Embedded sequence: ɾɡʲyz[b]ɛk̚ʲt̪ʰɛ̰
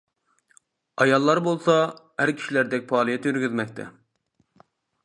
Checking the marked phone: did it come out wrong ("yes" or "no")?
yes